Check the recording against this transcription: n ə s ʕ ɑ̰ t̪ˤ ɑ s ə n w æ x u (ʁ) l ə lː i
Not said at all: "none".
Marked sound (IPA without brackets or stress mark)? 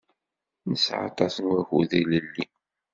ð